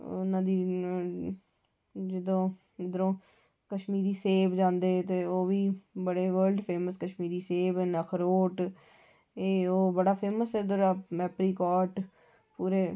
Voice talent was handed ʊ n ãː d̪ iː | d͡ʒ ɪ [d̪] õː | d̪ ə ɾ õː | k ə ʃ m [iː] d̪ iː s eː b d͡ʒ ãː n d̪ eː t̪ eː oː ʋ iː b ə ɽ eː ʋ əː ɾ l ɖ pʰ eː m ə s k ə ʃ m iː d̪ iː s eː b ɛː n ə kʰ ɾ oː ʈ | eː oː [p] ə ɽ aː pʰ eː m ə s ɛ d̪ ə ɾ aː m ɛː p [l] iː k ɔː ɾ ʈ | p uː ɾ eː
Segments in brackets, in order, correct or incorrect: correct, correct, incorrect: b, incorrect: ɾ

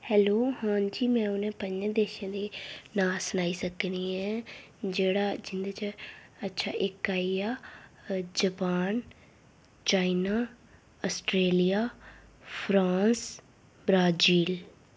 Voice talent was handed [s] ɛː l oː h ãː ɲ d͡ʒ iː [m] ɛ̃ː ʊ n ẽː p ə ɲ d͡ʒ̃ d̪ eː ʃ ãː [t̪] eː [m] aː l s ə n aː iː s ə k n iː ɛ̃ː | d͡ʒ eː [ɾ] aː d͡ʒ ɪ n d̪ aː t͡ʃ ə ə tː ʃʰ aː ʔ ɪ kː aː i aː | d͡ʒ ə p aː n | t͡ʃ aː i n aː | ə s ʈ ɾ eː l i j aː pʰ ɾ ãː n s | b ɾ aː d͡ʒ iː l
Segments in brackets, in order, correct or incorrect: incorrect: h, correct, incorrect: d̪, incorrect: n, incorrect: ɽ

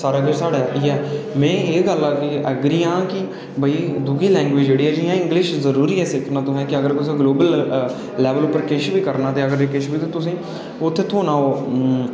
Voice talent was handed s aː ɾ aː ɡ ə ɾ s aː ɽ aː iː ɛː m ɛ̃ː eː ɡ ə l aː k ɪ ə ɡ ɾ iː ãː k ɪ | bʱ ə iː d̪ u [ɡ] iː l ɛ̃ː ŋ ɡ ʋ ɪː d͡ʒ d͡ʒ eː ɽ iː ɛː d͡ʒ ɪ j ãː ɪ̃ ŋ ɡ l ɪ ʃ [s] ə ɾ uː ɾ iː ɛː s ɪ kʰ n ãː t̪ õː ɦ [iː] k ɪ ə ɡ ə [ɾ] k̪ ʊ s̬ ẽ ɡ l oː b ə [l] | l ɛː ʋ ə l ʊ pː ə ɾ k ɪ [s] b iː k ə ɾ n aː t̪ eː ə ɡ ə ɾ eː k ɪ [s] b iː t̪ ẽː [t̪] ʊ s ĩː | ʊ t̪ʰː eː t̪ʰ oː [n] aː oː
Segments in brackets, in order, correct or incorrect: correct, incorrect: z, incorrect: ɛː, correct, correct, incorrect: ʃ, incorrect: ʃ, correct, correct

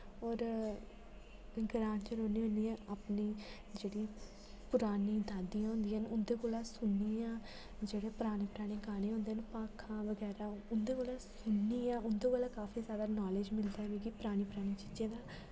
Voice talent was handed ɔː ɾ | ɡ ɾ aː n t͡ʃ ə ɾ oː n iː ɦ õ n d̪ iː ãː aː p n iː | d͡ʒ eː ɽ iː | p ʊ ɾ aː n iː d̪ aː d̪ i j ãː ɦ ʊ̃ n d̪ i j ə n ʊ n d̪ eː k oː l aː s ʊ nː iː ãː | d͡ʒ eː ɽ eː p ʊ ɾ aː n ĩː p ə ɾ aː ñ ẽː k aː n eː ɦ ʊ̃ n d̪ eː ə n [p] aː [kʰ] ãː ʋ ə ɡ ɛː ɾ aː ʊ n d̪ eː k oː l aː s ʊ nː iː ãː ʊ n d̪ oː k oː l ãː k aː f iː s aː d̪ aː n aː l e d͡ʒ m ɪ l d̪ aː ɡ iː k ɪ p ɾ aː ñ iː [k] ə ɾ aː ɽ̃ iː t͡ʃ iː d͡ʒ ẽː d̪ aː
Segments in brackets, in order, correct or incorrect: correct, correct, incorrect: p

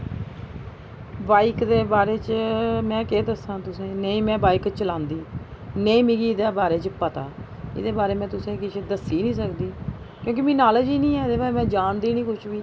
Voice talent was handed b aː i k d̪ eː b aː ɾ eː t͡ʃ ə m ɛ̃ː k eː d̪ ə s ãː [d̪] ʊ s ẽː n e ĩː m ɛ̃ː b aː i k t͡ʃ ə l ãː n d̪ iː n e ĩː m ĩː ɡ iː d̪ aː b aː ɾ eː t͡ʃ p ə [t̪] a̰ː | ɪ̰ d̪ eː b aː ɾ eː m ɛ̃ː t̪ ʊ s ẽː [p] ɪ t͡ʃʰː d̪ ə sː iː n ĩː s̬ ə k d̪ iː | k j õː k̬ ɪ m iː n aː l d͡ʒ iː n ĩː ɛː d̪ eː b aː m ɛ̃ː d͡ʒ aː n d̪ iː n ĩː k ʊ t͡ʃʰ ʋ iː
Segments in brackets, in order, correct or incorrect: incorrect: t̪, correct, incorrect: k

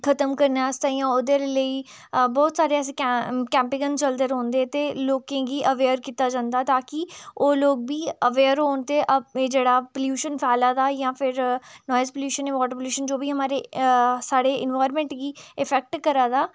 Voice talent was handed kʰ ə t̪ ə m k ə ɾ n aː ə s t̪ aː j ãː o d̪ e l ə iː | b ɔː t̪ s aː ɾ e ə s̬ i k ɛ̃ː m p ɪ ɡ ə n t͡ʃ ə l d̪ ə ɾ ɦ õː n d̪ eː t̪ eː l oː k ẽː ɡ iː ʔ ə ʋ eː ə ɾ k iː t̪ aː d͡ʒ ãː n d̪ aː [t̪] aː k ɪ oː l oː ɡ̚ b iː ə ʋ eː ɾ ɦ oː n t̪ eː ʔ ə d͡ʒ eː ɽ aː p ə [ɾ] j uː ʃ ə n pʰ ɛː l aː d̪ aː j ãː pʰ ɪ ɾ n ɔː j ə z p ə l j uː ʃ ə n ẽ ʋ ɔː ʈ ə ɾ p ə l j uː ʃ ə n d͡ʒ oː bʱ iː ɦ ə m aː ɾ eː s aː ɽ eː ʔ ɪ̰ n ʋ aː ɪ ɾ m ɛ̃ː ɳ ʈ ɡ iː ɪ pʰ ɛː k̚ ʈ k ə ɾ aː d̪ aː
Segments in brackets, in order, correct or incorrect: correct, incorrect: l

